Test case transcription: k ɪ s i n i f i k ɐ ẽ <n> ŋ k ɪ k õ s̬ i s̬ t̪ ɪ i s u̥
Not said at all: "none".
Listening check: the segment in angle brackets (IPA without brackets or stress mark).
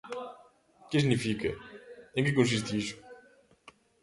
none